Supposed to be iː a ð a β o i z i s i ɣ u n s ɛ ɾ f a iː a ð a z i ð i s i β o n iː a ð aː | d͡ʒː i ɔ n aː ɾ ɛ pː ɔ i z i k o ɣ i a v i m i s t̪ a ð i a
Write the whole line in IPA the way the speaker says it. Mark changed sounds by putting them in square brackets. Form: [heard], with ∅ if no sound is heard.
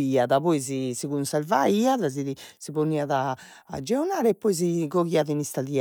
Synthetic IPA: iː a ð a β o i z i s i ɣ u n s ɛ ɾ [v] a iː a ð a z i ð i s i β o n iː a ð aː | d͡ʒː [ɛ] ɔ n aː ɾ ɛ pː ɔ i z i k o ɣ i a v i [n] i s t̪ a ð i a